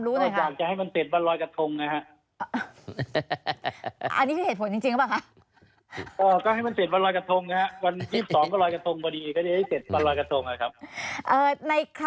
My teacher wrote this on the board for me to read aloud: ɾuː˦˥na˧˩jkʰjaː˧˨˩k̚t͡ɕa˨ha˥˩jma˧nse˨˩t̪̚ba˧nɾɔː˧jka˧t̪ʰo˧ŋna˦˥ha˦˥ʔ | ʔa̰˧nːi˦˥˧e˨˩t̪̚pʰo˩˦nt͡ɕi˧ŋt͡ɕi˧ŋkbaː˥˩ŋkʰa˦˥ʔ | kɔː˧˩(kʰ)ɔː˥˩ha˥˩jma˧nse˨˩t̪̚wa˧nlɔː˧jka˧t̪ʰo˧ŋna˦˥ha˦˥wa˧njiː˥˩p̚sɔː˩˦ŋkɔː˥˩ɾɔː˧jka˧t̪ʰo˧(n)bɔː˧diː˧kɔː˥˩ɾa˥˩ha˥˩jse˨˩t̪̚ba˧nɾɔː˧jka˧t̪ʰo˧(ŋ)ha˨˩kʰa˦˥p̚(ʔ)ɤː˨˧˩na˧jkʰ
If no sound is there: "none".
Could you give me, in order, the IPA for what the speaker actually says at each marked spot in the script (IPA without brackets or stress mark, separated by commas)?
k, ŋ, ŋ, ʔ